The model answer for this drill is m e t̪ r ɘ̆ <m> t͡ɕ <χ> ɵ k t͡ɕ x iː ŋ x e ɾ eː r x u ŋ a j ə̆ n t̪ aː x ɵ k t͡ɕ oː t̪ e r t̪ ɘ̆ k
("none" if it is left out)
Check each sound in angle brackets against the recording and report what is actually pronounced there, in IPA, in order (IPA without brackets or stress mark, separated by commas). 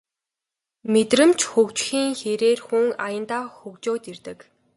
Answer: m, x